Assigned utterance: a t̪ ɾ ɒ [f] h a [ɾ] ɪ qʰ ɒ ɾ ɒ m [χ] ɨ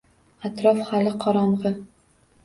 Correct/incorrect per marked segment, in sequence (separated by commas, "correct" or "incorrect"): correct, incorrect, incorrect